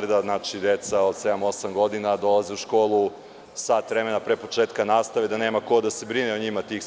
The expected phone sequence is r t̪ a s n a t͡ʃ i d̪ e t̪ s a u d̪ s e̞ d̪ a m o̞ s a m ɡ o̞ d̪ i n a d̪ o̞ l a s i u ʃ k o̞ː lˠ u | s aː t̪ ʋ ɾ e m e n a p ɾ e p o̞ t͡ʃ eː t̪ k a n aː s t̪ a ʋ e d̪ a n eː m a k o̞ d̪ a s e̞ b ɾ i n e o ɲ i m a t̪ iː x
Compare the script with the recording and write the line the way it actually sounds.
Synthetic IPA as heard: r d̪ a z n a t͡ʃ i d̪ e t̪ s a o d̪ s e̞ d̪ a m o̞ s a m ɡ o̞ d̪ i n a d̪ o̞ l a z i u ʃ k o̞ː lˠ u | s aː t̪ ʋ ɾ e m e n a p ɾ e p o̞ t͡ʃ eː t̪ k a n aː s t̪ a ʋ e d̪ a n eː m a k o̞ d̪ a s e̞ b ɾ i n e o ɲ i m a t̪ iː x

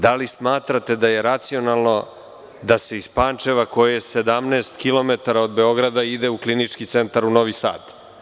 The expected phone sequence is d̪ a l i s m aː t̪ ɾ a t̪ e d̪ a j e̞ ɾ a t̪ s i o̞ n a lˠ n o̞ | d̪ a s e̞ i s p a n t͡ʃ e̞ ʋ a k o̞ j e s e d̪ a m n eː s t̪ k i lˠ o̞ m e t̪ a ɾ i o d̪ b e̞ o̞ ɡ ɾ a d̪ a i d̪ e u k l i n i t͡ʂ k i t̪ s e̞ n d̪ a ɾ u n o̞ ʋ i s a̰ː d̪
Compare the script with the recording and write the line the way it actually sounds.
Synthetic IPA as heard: d̪ a l i s m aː t̪ ɾ a t̪ e d̪ a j e̞ ɾ a t̪ s i o̞ n a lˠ n o̞ | d̪ a s e̞ i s p a n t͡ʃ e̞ ʋ a k o̞ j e s e d̪ a m n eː s t̪ k i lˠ o̞ m e t̪ a ɾ a o d̪ b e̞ o̞ ɡ ɾ a d̪ a i d̪ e u k l i n i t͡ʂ k i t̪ s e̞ n t̪ a ɾ u n o̞ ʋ i s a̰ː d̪

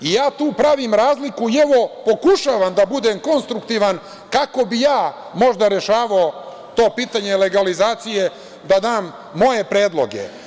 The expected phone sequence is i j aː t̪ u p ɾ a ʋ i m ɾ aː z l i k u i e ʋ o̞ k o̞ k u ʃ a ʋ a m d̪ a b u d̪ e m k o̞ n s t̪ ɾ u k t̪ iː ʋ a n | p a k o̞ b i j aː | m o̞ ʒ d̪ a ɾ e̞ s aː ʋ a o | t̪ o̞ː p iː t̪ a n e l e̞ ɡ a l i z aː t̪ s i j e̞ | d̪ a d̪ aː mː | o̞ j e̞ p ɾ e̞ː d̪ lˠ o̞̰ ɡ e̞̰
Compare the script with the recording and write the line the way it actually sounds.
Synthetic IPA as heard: i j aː t̪ uː p ɾ a ʋ i m ɾ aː z l i k u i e ʋ o̞ p o̞ k u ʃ a ʋ a m d̪ a b u d̪ e m k o̞ n s t̪ ɾ u k t̪ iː ʋ a n | k a k o̞ b i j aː | m o̞ ʒ d̪ a ɾ e̞ ʃ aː ʋ a o | t̪ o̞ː p iː t̪ a ɲ e l e̞ ɡ a l i z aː t̪ s i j e̞ | d̪ a d̪ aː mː | o̞ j e̞ p ɾ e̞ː d̪ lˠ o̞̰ ɡ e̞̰

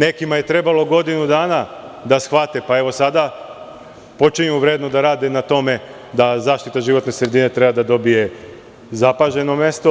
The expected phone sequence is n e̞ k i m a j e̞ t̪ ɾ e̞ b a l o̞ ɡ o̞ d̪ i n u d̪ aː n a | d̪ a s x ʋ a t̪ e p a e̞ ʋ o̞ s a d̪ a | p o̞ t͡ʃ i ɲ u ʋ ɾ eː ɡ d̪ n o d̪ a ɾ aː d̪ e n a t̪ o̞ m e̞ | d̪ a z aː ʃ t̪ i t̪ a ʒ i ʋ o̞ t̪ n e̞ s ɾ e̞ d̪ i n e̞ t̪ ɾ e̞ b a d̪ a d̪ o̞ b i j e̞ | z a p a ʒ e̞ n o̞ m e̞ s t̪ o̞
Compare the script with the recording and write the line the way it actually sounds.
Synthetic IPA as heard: n e̞ k i m a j e̞ t̪ ɾ e̞ b a l o̞ ɡ o̞ d̪ i n u d̪ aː n a | d̪ a s x ʋ a t̪ e p a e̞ ʋ o̞ s a d̪ a | p o̞ t͡ʃ i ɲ u ʋ ɾ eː d̪ n o d̪ a ɾ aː d̪ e n a t̪ o̞ m e̞ | d̪ a z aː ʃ t̪ i t̪ a ʒ i ʋ o̞ t̪ n e̞ s ɾ e̞ d̪ i n e̞ t̪ ɾ e̞ b a d̪ a d̪ o̞ b i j e̞ | z a p a ʒ e̞ n o̞ m e̞ s t̪ o̞

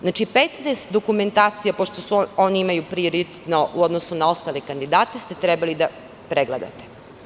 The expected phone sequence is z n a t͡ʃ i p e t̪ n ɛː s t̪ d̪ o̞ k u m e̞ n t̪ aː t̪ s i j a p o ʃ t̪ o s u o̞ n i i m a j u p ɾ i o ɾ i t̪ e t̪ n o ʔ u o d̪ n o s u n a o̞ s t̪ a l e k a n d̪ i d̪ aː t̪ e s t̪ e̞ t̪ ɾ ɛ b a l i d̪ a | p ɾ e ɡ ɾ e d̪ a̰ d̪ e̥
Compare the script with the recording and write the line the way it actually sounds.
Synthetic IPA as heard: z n a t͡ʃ i p e t̪ n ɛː s t̪ d̪ o̞ k u m e̞ n t̪ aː t̪ s i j a p o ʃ t̪ o s u o̞ n i i m a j u p ɾ i o ɾ i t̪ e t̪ n o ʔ u o d̪ n o s u n a o̞ s t̪ a l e k a n d̪ i d̪ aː t̪ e s t̪ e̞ t̪ ɾ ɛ b a l i d̪ a | p ɾ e ɡ l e d̪ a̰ t̪ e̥

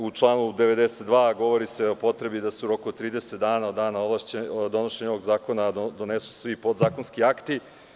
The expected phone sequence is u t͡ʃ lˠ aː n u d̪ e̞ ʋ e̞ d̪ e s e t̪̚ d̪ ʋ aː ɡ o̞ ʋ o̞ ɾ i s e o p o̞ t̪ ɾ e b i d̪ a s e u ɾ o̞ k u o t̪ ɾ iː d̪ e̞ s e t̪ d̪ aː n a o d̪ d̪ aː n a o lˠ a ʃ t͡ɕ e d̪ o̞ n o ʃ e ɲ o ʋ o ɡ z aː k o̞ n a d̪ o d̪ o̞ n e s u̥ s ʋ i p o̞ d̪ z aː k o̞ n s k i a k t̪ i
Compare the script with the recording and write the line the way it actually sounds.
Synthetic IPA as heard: u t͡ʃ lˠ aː n u d̪ e̞ ʋ e̞ d̪ e s e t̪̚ d̪ ʋ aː ɡ o̞ ʋ o̞ ɾ i s e o p o̞ t̪ ɾ e b i d̪ a s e u ɾ o̞ k u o t̪ ɾ iː d̪ e̞ s e t̪ d̪ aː n a o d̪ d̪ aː n a o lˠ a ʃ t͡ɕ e d̪ o̞ n o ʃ e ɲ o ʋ o ɡ z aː k o̞ n a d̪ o d̪ o̞ n e s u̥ s ʋ i p o̞ d̪ z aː k o̞ n s k i a k t̪ i

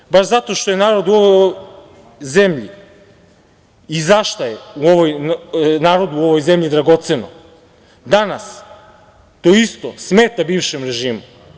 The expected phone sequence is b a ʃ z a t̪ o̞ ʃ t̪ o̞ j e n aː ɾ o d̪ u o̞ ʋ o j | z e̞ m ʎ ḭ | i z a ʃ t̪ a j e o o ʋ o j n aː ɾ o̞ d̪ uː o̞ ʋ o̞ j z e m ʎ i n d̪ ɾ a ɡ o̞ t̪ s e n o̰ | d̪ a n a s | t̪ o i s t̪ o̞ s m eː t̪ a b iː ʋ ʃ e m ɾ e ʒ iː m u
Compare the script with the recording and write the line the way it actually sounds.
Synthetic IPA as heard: b a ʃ z a t̪ o̞ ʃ t̪ o̞ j e n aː ɾ o d̪ u o̞ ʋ o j | z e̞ m ʎ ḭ | i z a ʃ t̪ a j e u o ʋ o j n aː ɾ o̞ d̪ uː o̞ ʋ o̞ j z e m ʎ i d̪ ɾ a ɡ o̞ t̪ s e n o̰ | d̪ a n a s | t̪ o i s t̪ o̞ s m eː t̪ a b iː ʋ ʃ e m ɾ e ʒ iː m u

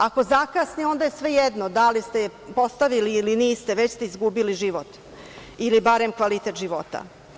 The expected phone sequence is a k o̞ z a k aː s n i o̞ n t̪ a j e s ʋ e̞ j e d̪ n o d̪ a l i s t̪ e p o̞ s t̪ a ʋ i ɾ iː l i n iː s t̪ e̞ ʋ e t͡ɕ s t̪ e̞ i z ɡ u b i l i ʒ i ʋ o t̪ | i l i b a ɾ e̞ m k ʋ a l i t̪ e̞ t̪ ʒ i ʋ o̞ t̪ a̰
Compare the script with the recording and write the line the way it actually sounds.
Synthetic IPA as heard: a k o̞ z a k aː s n i o̞ n d̪ a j e s ʋ e̞ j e d̪ n o d̪ a l i s t̪ e p o̞ s t̪ a ʋ i l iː l i n iː s t̪ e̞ ʋ e t͡ɕ s t̪ e̞ i z ɡ u b i l i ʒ i ʋ o t̪ | i l i b a ɾ e̞ m k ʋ a l i t̪ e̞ t̪ ʒ i ʋ o̞ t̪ a̰

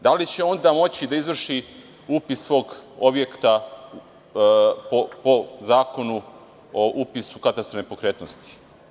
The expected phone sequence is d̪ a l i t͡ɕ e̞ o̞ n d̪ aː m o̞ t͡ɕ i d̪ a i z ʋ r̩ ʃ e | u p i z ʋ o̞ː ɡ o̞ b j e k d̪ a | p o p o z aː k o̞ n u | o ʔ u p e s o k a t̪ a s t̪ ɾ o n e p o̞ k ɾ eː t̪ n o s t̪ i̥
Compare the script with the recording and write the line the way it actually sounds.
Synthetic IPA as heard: d̪ a l i t͡ɕ e̞ o̞ n d̪ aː m o̞ t͡ɕ i d̪ a i z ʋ r̩ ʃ i | u p i s ʋ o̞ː ɡ o̞ b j e k t̪ a | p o p o z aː k o̞ n u | o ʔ u p i s u k a t̪ a s t̪ ɾ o n e p o̞ k ɾ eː t̪ n o s t̪ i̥

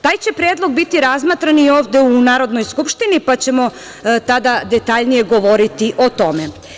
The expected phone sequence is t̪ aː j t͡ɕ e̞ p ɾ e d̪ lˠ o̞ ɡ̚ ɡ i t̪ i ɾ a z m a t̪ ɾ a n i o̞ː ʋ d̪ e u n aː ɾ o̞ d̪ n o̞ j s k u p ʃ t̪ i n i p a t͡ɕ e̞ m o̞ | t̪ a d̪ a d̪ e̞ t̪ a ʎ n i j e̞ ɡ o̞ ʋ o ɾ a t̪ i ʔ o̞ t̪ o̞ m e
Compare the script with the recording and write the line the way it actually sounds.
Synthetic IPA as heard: t̪ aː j t͡ɕ e̞ p ɾ e d̪ lˠ o̞ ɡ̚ b i t̪ i ɾ a z m a t̪ ɾ a n i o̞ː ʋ d̪ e u n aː ɾ o̞ d̪ n o̞ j s k u p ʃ t̪ i n i p a t͡ɕ e̞ m o̞ | t̪ a d̪ a d̪ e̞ t̪ a ʎ n i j e̞ ɡ o̞ ʋ o ɾ i t̪ i ʔ o̞ t̪ o̞ m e

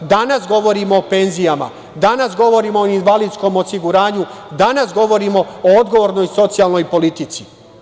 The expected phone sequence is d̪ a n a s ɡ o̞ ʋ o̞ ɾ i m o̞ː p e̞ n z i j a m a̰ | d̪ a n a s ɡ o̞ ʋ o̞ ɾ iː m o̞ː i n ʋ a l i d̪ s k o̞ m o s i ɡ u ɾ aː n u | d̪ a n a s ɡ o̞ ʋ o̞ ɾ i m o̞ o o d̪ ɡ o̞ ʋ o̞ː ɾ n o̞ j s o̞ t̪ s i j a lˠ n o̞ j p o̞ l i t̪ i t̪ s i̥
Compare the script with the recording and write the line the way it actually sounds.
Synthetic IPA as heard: d̪ a n a s ɡ o̞ ʋ o̞ ɾ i m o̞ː p e̞ n z i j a m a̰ | d̪ a n a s ɡ o̞ ʋ o̞ ɾ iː m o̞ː i n ʋ a l i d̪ s k o̞ m o s i ɡ u ɾ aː ɲ u | d̪ a n a s ɡ o̞ ʋ o̞ ɾ i m o̞ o o d̪ ɡ o̞ ʋ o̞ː ɾ n o̞ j s o̞ t̪ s i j a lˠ n o̞ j p o̞ l i t̪ i t̪ s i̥

